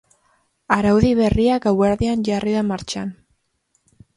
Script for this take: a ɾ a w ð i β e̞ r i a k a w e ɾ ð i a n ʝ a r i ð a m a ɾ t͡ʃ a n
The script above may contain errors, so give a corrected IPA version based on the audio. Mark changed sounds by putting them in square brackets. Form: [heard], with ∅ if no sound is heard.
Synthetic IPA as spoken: a ɾ a w ð i β e̞ r i a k a w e ɾ ð i a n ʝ a r i ð a m a ɾ t͡ʃ a n